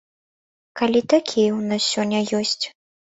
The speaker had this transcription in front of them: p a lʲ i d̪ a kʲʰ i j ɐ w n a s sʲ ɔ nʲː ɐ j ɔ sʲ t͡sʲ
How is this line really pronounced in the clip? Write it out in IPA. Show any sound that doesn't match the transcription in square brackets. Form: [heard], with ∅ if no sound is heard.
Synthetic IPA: [k] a lʲ i [t̪] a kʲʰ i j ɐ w n a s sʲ ɔ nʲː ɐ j ɔ sʲ t͡sʲ